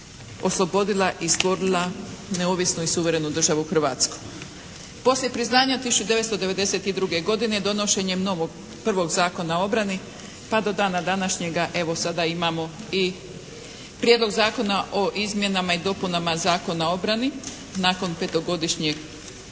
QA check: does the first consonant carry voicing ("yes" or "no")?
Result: no